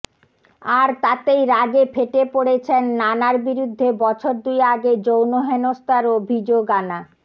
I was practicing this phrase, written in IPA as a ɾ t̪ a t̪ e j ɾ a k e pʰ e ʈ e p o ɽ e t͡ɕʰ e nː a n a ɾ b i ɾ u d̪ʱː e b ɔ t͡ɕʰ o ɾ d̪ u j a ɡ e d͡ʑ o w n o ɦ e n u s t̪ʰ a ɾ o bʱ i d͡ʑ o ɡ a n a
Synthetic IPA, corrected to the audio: a ɾ t̪ a t̪ e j ɾ a ɡ e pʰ e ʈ e p o ɽ e t͡ɕʰ e nː a n a ɾ b i ɾ u d̪ʱː e b ɔ t͡ɕʰ o ɾ d̪ u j a ɡ e d͡ʑ o w n o ɦ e n o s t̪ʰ a ɾ o bʱ i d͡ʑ o ɡ a n a

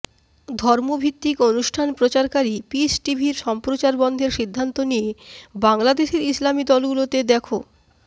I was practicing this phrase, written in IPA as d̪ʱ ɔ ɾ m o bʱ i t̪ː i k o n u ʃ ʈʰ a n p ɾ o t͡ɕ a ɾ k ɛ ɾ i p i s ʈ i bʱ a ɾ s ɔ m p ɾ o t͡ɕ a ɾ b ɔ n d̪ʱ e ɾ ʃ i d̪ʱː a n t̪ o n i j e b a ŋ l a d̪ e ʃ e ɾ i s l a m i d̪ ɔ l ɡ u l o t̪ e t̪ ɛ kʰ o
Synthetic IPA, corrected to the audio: d̪ʱ ɔ ɾ m o bʱ i t̪ː i k o n u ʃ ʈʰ a n p ɾ o t͡ɕ a ɾ k a ɾ i p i s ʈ i bʱ i ɾ ʃ ɔ m p ɾ o t͡ɕ a ɾ b ɔ n d̪ʱ e ɾ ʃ i d̪ʱː a n t̪ o n i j e b a ŋ l a d̪ e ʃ e ɾ i s l a m i d̪ ɔ l ɡ u l o t̪ e d̪ ɛ kʰ o

